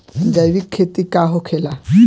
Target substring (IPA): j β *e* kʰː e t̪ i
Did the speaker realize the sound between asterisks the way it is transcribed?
no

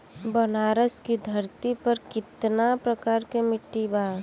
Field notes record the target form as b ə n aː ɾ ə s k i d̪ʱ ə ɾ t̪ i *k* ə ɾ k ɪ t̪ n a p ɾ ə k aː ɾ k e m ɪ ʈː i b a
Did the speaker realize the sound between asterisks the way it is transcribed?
no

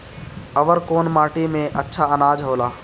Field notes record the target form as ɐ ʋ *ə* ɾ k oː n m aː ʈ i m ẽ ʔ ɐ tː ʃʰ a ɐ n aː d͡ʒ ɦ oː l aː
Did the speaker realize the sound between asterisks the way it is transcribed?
yes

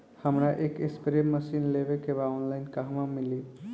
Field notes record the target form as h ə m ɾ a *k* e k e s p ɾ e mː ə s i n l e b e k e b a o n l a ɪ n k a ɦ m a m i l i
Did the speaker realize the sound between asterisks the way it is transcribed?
no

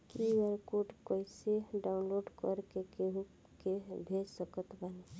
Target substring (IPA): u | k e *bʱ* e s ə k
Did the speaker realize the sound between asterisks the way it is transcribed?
yes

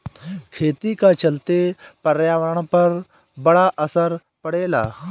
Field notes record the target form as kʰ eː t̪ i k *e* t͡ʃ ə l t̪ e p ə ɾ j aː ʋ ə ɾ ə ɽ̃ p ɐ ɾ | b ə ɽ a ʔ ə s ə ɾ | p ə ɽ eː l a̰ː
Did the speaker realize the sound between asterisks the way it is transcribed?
no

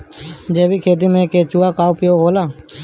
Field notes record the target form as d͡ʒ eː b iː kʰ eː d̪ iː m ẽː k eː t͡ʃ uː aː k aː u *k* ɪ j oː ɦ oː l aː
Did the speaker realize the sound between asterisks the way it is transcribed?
no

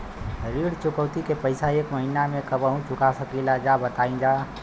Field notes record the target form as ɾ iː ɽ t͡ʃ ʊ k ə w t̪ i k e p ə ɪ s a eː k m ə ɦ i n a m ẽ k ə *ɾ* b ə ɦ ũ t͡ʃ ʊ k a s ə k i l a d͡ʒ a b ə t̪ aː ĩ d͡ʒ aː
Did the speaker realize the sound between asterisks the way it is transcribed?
no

